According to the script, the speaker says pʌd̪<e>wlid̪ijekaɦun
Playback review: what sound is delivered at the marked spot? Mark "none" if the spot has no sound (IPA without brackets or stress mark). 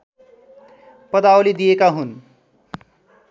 a